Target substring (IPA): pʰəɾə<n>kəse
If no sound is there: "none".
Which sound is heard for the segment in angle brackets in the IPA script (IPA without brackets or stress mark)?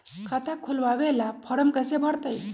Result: m